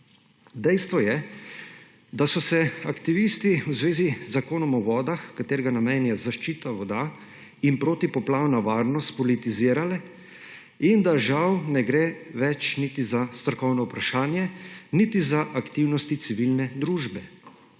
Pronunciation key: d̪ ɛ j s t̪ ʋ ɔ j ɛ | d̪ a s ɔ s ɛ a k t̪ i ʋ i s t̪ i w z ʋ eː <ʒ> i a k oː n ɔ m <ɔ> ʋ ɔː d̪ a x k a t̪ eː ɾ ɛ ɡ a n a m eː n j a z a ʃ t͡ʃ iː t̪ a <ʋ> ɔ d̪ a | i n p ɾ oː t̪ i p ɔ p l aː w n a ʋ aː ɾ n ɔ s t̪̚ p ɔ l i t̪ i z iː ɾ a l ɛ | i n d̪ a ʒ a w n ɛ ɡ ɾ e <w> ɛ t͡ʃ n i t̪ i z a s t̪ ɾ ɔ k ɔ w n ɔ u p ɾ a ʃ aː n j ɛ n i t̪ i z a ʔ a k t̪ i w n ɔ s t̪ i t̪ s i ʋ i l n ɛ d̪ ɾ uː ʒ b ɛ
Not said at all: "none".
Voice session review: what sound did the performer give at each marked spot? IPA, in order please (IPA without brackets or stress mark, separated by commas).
z, ɔ, ʋ, ʋ